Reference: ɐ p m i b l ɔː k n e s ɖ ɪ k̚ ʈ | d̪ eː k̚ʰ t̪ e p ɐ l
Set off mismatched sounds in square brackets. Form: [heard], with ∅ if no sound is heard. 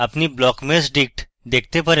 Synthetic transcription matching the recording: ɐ p [n] i b l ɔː k [m] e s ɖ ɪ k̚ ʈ | d̪ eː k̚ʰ t̪ e p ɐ [ɾ]